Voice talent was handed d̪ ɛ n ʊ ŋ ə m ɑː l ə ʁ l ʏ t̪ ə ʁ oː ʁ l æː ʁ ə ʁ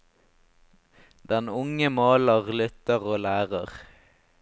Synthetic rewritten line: d̪ ɛ n ʊ ŋ ə m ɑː l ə ʁ l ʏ t̪ ə ʁ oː l æː ʁ ə ʁ